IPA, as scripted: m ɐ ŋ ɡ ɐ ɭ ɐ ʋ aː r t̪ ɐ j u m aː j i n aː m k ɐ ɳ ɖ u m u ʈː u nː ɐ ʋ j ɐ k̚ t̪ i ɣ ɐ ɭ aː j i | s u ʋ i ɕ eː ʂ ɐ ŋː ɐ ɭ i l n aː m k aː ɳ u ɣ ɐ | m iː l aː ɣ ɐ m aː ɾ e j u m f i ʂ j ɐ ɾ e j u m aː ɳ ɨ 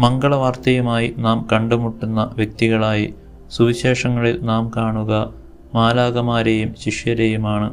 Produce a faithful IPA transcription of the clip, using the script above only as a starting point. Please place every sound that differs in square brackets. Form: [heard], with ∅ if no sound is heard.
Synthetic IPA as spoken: m ɐ ŋ ɡ ɐ ɭ ɐ ʋ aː r t̪ ɐ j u m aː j i n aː m k ɐ ɳ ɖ u m u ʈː u nː ɐ ʋ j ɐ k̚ t̪ i ɣ ɐ ɭ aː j i | s u ʋ i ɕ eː ʂ ɐ ŋː ɐ ɭ i l n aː m k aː ɳ u ɣ ɐ | m [aː] l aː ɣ ɐ m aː ɾ e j u m [ɕ] i ʂ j ɐ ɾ e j u m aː ɳ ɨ